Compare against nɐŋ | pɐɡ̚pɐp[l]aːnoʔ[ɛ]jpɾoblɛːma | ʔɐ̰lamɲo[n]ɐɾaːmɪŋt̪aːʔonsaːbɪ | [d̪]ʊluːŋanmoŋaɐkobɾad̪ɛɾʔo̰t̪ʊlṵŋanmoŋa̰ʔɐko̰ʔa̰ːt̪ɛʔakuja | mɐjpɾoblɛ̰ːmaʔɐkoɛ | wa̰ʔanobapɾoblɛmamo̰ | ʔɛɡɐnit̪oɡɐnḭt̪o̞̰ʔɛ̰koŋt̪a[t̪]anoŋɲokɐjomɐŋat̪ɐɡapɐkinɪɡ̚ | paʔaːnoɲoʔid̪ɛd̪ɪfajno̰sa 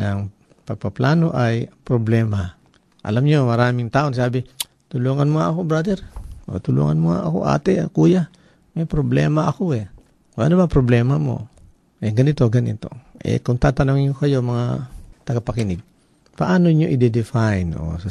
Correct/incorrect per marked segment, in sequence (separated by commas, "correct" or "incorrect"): correct, incorrect, incorrect, incorrect, correct